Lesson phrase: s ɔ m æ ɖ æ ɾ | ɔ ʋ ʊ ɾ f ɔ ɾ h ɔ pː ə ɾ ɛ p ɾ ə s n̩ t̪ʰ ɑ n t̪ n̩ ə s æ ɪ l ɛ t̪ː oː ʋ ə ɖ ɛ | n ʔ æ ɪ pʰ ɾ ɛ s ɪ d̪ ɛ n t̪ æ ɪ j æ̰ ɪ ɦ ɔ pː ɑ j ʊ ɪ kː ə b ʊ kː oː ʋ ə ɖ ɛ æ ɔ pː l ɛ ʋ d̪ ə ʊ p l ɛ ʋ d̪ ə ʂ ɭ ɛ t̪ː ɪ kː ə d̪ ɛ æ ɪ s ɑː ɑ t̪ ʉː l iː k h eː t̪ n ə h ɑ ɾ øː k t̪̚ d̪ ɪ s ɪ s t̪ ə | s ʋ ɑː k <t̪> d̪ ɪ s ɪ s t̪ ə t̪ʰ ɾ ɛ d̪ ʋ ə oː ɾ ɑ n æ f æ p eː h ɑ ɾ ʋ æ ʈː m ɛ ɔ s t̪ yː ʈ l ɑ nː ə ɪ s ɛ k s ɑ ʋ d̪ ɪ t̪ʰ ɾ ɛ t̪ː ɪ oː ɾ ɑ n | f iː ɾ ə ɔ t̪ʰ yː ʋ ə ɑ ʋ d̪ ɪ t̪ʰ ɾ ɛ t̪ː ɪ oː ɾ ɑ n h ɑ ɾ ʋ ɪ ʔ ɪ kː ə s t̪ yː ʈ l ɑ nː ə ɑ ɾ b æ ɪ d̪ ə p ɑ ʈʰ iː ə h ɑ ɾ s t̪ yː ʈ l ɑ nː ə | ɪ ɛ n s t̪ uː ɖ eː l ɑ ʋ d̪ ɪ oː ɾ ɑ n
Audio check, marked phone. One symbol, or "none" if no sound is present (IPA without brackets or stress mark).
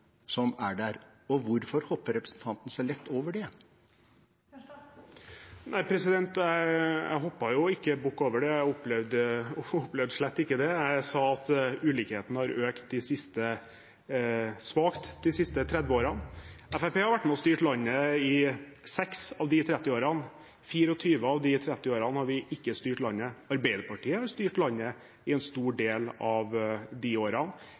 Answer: t̪